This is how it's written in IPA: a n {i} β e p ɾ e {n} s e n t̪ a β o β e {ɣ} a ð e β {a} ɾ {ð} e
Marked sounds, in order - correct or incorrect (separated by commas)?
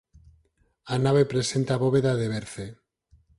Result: incorrect, incorrect, incorrect, incorrect, incorrect